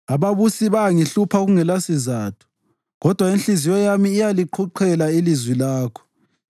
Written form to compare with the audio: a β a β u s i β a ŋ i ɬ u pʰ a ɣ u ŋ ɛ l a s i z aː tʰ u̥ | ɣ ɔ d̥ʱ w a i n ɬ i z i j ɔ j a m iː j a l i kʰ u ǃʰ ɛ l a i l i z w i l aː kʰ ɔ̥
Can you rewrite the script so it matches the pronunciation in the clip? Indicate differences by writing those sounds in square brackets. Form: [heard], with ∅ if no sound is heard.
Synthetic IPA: a β a β u s i β a ŋ i ɬ u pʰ a ɣ u ŋ ɛ l a s i z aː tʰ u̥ | ɣ ɔ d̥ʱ w a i n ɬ i z i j ɔ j a m iː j a l i [ǃʰ] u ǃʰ ɛ l a i l i z w i l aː kʰ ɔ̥